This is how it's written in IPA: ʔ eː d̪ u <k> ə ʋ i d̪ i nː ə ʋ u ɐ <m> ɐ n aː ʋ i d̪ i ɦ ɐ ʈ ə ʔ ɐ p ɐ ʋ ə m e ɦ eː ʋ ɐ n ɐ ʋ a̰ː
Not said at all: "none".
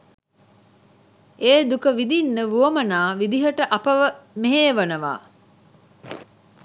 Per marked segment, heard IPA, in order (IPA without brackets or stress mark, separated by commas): k, m